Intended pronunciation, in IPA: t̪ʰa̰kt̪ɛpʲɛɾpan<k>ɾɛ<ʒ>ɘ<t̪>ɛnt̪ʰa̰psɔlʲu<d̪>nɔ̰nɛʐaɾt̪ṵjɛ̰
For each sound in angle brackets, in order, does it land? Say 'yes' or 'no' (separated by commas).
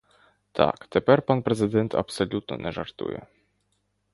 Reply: no, no, no, no